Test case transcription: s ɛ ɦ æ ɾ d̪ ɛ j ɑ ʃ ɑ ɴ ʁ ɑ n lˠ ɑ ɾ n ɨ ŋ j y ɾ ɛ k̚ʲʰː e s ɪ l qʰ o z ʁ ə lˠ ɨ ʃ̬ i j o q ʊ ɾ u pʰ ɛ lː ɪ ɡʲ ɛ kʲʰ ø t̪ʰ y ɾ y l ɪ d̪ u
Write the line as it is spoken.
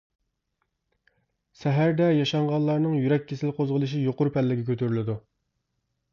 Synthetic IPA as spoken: s ɛ ɦ æ ɾ d̪ ɛ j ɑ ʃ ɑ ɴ ʁ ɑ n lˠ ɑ ɾ n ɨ ŋ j y ɾ ɛ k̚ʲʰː e s ɪ l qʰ o z ʁ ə lˠ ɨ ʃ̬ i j o q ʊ ɾ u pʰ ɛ lː ɪ ɡʲ ɛ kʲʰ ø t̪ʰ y ɾ y l ɪ d̪ u